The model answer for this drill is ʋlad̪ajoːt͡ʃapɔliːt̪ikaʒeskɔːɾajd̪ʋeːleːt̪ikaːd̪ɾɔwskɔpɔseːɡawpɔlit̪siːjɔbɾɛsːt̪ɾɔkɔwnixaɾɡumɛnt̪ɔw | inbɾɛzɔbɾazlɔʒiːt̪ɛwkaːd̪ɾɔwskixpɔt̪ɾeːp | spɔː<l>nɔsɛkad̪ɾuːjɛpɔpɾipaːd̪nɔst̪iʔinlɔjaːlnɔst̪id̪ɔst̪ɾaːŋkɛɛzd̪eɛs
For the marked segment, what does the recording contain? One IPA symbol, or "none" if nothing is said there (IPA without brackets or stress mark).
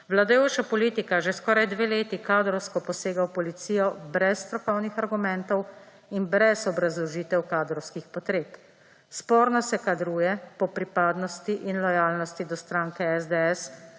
ɾ